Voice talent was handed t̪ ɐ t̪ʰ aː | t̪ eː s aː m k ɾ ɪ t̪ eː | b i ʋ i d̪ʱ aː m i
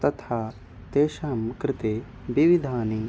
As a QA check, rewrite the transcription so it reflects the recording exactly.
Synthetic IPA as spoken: t̪ ɐ t̪ʰ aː | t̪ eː ʃ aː m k ɾ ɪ t̪ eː | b i ʋ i d̪ʱ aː n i